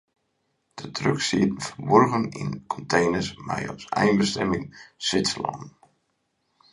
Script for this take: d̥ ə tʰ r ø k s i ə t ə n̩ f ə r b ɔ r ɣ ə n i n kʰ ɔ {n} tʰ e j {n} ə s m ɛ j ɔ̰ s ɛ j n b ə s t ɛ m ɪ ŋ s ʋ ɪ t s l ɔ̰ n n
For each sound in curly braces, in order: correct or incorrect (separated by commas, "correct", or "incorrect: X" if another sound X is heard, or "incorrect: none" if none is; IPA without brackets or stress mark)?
correct, correct